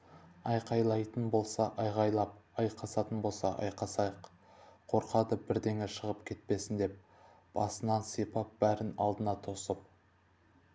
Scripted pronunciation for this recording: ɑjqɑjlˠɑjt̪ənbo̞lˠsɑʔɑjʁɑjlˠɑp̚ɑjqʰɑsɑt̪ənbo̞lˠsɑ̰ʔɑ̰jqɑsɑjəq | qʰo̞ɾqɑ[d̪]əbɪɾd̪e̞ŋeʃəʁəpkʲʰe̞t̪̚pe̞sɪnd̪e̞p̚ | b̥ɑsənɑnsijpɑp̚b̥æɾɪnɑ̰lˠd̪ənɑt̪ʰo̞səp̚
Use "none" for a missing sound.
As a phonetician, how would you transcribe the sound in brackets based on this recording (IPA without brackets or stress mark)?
d̪